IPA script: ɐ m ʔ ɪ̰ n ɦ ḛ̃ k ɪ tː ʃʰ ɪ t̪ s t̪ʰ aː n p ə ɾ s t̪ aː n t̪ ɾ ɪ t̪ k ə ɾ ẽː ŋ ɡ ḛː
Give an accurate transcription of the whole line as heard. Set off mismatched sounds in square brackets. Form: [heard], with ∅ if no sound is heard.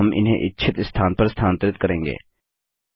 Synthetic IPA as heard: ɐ m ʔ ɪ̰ n ɦ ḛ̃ [ʔ] ɪ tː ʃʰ ɪ t̪ s t̪ʰ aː n p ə ɾ s [t̪ʰ] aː n t̪ ɾ ɪ t̪ k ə ɾ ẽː ŋ ɡ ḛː